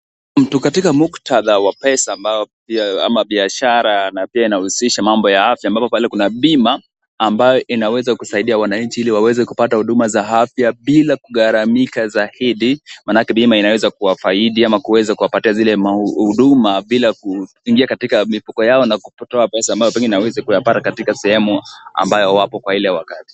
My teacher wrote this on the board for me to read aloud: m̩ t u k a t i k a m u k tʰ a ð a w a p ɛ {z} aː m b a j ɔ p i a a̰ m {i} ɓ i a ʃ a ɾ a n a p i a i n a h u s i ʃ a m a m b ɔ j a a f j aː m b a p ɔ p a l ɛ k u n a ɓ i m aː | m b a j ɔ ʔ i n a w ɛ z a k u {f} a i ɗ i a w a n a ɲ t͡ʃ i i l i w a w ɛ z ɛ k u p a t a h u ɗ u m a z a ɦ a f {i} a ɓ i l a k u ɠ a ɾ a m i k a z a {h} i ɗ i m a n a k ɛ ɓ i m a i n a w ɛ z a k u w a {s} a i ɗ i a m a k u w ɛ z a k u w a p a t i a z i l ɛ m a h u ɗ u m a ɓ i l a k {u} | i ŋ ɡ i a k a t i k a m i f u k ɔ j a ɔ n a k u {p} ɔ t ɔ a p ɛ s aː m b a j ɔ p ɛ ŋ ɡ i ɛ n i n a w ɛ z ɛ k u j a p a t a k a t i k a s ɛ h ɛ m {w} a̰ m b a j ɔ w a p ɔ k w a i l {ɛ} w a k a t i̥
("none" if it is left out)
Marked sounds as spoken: s, a, s, j, h, f, u, p, u, ɛ

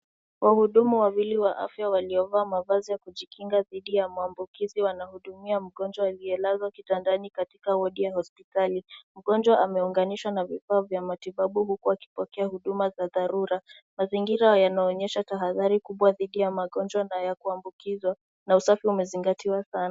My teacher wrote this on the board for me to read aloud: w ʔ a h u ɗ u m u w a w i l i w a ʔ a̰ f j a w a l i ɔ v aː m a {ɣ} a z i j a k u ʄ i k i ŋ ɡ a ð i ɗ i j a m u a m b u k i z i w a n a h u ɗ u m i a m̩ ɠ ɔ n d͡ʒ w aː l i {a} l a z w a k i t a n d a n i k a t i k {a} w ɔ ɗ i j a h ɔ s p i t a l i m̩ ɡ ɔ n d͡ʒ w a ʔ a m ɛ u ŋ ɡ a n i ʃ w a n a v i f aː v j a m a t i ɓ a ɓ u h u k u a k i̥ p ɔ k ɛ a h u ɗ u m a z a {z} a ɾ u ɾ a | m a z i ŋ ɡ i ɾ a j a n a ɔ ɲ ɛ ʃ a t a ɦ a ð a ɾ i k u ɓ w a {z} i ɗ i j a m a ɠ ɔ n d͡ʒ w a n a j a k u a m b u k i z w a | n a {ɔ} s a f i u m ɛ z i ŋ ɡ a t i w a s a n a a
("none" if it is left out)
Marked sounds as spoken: v, ɛ, a, ð, ð, u

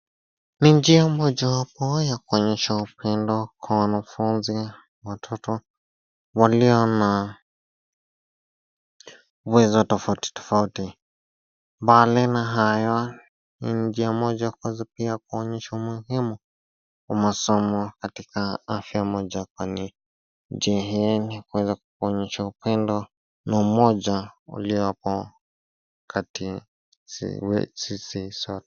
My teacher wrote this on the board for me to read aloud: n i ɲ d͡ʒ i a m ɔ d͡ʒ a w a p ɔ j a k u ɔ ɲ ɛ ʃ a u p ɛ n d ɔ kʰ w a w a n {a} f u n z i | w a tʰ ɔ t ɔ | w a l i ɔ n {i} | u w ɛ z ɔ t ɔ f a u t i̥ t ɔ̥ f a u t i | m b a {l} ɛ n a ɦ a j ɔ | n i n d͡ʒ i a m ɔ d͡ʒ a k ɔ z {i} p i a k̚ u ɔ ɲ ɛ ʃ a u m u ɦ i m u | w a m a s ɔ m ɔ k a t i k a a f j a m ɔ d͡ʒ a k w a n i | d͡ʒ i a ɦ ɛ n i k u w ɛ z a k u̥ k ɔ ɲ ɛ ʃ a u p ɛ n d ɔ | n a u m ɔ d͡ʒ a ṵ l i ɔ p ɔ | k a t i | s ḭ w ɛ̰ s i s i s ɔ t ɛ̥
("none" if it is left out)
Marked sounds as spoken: a, a, l, a

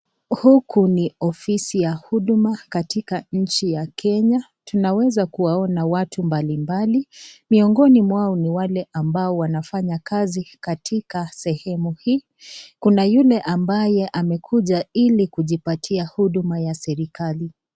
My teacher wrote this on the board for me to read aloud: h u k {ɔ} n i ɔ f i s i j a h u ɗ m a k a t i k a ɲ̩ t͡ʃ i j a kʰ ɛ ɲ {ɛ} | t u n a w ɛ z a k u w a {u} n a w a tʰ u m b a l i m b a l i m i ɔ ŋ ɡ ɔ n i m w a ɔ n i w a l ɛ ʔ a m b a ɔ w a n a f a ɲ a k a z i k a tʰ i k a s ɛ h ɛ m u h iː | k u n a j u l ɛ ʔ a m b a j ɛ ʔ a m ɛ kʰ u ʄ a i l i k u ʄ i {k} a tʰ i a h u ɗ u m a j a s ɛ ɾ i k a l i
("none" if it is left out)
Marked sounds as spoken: u, a, ɔ, p

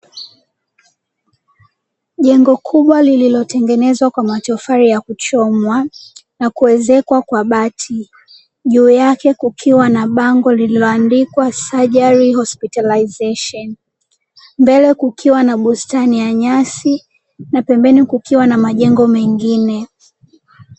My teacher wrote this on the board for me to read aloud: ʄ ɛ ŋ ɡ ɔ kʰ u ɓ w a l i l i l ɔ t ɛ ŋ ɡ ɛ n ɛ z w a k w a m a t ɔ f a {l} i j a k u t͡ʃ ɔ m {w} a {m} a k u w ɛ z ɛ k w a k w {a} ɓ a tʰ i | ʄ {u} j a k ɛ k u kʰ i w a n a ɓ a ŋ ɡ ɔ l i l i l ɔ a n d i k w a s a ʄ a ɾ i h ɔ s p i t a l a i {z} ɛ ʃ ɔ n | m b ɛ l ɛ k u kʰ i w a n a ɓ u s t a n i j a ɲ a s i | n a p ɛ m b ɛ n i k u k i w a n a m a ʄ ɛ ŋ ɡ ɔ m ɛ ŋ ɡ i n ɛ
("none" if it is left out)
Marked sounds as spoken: ɾ, w, n, a, uː, z

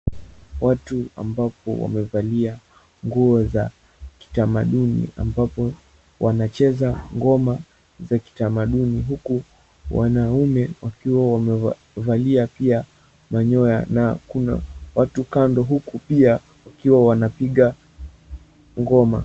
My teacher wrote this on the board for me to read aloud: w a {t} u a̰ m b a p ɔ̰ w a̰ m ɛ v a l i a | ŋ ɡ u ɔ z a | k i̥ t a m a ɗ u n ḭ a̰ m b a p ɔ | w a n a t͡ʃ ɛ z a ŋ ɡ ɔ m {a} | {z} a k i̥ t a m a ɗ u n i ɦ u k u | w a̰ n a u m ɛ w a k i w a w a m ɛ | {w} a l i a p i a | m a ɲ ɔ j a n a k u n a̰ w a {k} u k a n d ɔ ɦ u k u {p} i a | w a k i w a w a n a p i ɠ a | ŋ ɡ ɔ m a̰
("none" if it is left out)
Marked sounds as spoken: t, a, z, v, t, p

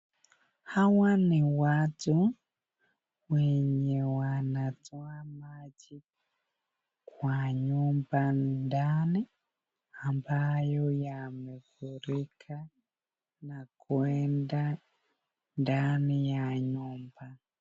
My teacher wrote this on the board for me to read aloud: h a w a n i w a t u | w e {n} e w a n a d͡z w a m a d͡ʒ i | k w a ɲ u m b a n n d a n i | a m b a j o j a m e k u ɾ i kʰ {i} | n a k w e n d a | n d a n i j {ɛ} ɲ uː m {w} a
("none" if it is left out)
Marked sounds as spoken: ɲ, a, a, b

